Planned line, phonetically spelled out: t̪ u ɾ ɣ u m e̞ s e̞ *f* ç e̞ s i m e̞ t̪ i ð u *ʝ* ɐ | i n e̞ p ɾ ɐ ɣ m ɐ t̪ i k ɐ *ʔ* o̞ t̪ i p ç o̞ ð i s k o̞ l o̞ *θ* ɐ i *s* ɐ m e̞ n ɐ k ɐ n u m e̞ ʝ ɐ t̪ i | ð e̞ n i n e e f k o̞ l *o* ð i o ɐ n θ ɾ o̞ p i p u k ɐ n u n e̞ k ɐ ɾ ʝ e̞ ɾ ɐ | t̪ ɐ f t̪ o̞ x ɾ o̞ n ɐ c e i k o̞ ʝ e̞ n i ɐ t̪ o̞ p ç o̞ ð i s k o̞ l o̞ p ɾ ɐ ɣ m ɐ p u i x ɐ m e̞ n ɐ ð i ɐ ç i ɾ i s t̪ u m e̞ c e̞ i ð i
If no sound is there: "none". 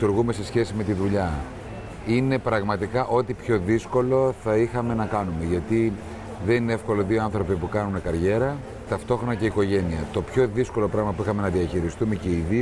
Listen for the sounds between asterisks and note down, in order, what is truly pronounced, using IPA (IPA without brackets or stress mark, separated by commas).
s, ʎ, ʔ, θ, x, o